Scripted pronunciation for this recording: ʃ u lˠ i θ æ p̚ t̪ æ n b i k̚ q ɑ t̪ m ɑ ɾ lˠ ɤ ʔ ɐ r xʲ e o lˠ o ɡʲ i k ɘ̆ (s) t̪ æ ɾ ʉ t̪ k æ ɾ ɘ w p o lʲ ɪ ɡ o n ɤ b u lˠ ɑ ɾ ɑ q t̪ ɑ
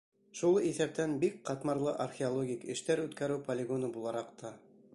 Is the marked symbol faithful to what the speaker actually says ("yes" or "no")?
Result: no